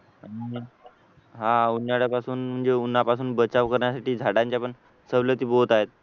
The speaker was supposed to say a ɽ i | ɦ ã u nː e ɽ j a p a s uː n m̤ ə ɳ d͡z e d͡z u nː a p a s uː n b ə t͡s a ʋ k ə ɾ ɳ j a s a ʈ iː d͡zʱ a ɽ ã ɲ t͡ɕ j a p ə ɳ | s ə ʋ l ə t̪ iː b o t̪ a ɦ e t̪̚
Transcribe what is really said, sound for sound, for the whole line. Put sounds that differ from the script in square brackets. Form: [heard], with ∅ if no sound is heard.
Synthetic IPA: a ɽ i | ɦ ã u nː [a] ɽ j a p a s uː n m̤ ə ɳ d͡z e [∅] u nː a p a s uː n b ə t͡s a ʋ k ə ɾ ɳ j a s a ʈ iː d͡zʱ a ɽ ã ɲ t͡ɕ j a p ə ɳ | s ə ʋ l ə t̪ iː b o t̪ a ɦ e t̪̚